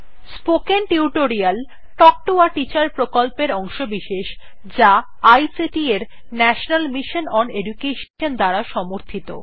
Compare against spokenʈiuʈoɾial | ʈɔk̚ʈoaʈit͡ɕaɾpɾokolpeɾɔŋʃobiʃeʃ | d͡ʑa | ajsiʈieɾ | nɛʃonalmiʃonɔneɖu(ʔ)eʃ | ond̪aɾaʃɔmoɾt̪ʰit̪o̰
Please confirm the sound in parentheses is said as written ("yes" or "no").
no